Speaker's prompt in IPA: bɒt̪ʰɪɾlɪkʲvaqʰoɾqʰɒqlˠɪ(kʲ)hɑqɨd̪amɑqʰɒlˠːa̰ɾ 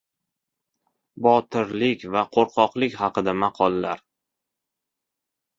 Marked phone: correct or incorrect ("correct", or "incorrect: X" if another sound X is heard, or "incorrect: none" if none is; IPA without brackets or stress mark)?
correct